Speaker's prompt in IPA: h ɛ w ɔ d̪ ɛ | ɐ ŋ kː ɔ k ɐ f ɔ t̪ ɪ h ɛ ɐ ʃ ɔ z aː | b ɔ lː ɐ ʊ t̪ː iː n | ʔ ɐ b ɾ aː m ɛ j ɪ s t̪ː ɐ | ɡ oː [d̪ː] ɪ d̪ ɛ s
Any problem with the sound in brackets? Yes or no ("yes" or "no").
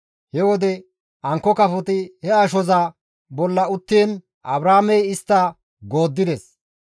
no